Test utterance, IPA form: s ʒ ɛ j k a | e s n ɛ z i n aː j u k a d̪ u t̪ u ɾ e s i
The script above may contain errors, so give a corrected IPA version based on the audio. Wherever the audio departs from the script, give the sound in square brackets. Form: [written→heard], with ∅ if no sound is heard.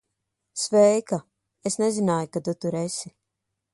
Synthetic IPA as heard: s [ʒ→v] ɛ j k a | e s n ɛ z i n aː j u k a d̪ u t̪ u ɾ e s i